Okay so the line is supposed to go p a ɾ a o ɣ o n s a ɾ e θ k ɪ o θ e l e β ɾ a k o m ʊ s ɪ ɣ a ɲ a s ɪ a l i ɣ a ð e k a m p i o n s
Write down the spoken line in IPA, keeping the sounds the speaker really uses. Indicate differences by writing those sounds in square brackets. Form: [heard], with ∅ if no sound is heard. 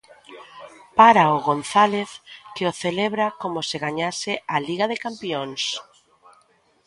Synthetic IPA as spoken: p a ɾ a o ɣ o n [θ] a [l] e θ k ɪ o θ e l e β ɾ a k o m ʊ s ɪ ɣ a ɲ a s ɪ a l i ɣ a ð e k a m p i o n s